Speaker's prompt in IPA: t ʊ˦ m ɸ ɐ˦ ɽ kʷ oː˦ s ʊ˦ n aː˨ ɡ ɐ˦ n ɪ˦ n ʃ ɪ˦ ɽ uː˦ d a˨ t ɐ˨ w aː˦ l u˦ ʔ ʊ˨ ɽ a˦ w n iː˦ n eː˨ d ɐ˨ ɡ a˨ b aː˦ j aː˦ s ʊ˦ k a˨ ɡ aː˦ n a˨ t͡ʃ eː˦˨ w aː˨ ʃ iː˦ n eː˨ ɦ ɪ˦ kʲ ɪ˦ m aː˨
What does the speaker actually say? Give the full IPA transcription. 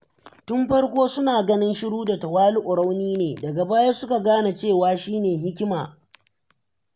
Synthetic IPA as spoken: t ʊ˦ m ɸ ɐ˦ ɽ kʷ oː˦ s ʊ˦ n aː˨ ɡ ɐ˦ n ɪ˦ n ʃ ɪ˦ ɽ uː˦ d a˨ t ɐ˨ w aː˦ l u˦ ʔ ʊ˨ ɽ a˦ w n iː˦ n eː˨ d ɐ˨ ɡ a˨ b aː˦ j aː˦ s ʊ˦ k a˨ ɡ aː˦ n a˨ t͡ʃ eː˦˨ w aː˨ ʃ iː˦ n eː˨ ɦ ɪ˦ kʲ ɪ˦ m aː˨